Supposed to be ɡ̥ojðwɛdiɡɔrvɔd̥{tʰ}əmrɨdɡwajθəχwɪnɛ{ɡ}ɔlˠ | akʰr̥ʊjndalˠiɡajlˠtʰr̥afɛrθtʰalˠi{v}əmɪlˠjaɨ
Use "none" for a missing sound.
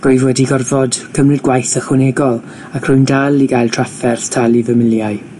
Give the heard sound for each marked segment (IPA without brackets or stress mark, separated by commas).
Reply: kʰ, ɡ, v